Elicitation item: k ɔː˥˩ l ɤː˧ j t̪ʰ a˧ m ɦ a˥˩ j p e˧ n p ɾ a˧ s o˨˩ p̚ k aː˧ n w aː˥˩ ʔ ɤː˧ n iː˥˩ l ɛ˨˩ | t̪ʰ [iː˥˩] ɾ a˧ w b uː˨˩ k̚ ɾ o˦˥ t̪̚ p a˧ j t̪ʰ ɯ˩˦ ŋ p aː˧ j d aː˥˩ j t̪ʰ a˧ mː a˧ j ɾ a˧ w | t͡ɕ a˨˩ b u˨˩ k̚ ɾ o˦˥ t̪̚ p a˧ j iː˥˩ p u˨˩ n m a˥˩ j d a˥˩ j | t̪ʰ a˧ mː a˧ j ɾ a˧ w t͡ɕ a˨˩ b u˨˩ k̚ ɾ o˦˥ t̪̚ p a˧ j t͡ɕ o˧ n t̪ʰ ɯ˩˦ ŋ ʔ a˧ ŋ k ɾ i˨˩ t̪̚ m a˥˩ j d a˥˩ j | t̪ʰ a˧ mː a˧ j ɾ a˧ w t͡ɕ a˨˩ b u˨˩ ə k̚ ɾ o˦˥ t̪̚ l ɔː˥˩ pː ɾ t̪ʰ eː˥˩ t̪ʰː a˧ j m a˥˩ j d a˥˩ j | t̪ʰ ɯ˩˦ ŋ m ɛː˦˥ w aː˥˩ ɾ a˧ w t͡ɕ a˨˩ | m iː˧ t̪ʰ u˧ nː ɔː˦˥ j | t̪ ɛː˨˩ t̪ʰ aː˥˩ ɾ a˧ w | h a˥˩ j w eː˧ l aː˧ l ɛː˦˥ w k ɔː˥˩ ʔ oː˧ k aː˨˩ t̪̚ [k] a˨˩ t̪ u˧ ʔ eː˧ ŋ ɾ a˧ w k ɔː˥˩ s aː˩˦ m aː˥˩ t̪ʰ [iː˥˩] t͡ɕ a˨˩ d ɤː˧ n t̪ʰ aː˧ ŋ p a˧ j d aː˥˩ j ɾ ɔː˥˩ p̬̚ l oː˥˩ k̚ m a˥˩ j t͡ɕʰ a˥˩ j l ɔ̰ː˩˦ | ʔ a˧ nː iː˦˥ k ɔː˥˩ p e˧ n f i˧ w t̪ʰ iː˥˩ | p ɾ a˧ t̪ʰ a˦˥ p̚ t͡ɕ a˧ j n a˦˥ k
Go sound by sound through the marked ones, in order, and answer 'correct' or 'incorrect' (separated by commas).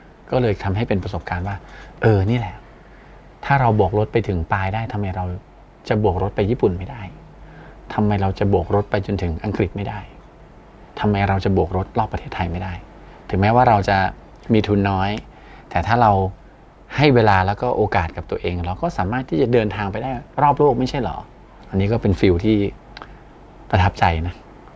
incorrect, correct, correct